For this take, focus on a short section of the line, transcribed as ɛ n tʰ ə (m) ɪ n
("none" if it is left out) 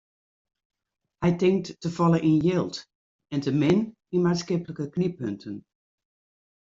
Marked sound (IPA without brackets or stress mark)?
m